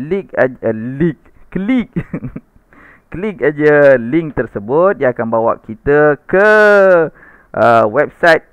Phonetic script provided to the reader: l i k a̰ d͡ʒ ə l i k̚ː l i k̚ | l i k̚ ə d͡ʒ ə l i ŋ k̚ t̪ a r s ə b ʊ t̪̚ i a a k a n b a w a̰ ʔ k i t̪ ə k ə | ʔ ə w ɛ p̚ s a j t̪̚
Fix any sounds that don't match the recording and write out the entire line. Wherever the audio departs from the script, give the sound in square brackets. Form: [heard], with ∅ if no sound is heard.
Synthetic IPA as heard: l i k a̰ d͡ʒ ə l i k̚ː l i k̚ | l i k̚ [a] d͡ʒ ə l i ŋ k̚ t̪ [ə] r s ə b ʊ t̪̚ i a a k a n b a w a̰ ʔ k i t̪ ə k ə | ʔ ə w ɛ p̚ s a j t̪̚